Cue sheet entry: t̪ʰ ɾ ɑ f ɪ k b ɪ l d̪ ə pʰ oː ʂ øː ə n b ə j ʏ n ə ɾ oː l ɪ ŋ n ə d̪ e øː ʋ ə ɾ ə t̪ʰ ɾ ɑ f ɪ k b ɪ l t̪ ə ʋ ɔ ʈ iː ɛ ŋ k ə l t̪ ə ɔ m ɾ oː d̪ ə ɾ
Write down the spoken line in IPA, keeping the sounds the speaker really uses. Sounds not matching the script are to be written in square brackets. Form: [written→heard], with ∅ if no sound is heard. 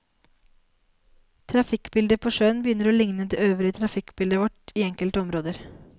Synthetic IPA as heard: t̪ʰ ɾ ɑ f ɪ k b ɪ l d̪ ə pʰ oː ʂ øː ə n b ə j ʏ n ə ɾ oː l ɪ ŋ n ə d̪ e øː ʋ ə ɾ ə t̪ʰ ɾ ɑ f ɪ k b ɪ l [t̪→d̪] ə ʋ ɔ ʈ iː ɛ ŋ k ə l t̪ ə ɔ m ɾ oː d̪ ə ɾ